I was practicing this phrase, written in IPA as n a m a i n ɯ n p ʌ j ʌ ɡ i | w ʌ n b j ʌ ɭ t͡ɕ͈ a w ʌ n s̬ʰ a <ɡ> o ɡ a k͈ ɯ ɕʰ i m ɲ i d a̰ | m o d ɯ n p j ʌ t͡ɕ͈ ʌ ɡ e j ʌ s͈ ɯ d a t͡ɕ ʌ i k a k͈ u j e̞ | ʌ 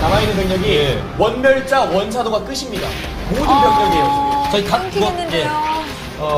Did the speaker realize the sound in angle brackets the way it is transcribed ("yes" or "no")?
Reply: no